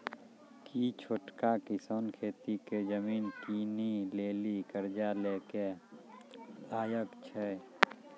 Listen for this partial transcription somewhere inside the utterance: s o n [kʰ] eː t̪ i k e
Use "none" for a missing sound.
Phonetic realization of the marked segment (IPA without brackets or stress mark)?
kʰ